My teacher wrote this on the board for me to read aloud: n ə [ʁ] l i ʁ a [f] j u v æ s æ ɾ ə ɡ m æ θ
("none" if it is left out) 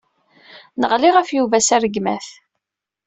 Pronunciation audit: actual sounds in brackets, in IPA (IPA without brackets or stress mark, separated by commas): ʁ, f